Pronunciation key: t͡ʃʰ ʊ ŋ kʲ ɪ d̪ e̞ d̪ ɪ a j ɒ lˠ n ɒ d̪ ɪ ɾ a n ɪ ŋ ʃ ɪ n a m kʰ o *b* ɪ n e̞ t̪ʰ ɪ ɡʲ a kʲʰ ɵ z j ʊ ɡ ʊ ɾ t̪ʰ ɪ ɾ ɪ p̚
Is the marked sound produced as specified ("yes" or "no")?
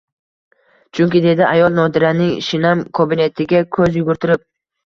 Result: yes